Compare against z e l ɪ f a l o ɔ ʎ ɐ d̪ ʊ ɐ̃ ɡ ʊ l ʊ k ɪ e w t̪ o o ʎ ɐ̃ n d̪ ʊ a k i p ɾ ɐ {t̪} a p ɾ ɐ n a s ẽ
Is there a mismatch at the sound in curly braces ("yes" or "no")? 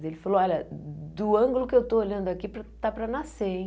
no